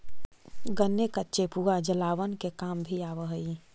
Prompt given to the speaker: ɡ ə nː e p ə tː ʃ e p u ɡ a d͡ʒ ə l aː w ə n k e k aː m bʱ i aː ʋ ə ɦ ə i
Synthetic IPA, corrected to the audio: ɡ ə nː e k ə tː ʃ e p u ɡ a d͡ʒ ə l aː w ə n k e k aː m bʱ i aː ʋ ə ɦ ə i